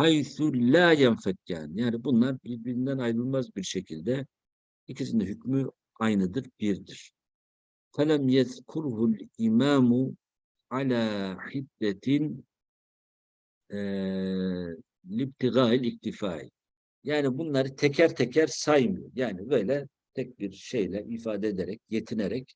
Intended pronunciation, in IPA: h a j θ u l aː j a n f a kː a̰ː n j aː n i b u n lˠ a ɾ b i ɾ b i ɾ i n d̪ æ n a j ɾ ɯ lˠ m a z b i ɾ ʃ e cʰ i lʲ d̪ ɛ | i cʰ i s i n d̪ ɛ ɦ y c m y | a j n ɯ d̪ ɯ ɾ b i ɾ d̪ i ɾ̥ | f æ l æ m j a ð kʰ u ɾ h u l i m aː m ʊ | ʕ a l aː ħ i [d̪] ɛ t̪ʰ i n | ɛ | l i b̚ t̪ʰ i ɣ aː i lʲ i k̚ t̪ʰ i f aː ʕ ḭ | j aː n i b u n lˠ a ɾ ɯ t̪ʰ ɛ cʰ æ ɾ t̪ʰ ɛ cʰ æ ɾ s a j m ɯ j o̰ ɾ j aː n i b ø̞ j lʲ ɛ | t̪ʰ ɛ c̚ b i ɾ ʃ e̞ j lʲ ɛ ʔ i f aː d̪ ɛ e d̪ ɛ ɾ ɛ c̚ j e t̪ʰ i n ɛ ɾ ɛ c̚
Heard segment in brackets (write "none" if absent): d̪ː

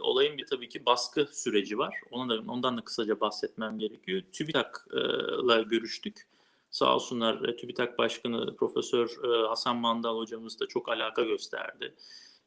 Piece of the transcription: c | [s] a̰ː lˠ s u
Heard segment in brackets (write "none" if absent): s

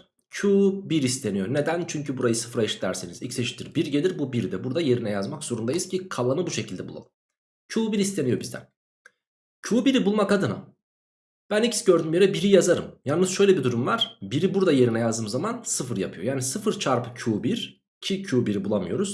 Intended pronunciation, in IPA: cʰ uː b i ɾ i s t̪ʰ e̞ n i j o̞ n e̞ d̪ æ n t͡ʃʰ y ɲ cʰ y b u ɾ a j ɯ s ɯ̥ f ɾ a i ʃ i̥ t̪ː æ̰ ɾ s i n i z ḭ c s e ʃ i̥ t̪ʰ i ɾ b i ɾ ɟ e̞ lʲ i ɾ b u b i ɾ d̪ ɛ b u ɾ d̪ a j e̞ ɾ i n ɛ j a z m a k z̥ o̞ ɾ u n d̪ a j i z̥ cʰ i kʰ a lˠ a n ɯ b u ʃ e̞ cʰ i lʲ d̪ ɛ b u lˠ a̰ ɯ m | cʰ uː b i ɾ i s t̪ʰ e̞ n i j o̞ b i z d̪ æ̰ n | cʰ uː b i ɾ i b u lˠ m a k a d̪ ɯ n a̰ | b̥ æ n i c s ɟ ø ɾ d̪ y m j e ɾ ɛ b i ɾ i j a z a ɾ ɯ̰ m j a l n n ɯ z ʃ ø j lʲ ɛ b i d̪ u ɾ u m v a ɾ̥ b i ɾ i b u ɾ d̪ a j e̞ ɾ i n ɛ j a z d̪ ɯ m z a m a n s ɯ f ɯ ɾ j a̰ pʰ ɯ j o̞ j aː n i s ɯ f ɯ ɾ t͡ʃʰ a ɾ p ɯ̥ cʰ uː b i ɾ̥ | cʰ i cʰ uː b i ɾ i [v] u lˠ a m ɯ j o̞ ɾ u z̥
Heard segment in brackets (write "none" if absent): b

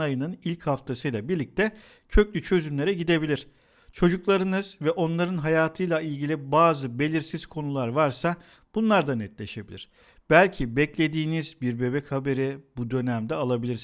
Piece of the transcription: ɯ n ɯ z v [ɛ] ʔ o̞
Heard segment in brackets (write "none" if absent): ɛ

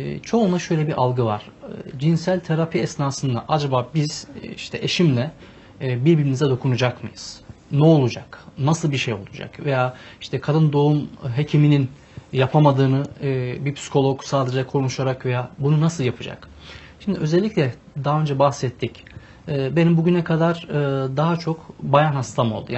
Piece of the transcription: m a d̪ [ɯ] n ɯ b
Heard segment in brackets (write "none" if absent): ɯː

